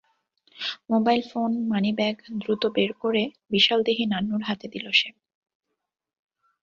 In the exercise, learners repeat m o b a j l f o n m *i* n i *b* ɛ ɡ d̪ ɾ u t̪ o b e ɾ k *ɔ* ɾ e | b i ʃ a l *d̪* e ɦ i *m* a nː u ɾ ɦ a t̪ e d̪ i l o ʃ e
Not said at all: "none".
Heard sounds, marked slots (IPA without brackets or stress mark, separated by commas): a, b, o, d̪, n